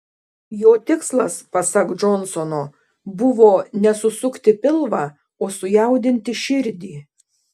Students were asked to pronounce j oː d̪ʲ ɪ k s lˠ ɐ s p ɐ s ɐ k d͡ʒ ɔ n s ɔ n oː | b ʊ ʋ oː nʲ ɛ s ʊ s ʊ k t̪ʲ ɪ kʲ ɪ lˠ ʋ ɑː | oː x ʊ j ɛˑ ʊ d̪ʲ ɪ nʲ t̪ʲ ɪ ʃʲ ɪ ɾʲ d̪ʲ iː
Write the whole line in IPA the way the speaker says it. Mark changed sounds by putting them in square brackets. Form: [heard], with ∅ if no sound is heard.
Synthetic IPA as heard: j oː [t̪ʲ] ɪ k s lˠ ɐ s p ɐ s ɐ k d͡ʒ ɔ n s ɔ n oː | b ʊ ʋ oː nʲ ɛ s ʊ s ʊ k t̪ʲ ɪ [pʲ] ɪ lˠ ʋ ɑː | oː [s] ʊ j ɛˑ ʊ d̪ʲ ɪ nʲ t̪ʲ ɪ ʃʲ ɪ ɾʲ d̪ʲ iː